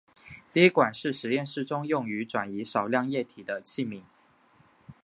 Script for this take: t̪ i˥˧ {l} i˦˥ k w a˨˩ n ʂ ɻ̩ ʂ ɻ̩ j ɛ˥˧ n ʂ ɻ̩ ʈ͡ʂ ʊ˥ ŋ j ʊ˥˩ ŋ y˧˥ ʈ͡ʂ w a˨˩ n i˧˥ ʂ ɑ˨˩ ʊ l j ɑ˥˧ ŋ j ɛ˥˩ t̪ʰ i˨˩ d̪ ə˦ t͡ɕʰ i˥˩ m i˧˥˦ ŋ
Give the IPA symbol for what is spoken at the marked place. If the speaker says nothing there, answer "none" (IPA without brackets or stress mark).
none